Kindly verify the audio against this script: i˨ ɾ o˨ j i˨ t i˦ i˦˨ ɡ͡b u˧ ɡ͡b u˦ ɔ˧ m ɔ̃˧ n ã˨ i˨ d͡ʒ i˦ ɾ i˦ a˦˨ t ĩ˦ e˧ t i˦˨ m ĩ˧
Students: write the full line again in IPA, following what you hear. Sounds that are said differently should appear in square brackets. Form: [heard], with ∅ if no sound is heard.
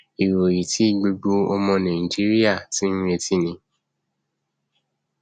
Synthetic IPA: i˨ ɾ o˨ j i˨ t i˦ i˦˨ ɡ͡b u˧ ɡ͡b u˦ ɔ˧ m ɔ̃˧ n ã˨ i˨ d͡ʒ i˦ ɾ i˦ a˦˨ t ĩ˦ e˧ t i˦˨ [n] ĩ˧